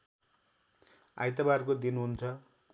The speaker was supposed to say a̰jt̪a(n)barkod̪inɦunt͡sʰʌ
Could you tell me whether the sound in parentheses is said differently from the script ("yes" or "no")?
yes